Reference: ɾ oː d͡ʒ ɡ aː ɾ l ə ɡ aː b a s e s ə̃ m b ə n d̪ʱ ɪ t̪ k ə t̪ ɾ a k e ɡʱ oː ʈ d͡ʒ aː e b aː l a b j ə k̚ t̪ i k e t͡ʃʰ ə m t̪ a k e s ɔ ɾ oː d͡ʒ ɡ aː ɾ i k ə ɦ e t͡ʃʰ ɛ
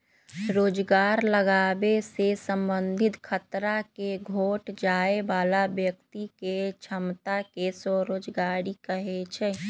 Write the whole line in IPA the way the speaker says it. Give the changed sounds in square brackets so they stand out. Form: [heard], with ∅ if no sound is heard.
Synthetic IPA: ɾ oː d͡ʒ ɡ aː ɾ l ə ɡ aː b [e] s e s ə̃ m b ə n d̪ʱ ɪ t̪ [kʰ] ə t̪ ɾ a k e ɡʱ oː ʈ d͡ʒ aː e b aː l a b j ə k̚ t̪ i k e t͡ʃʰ ə m t̪ a k e s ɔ ɾ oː d͡ʒ ɡ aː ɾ i k ə ɦ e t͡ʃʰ ɛ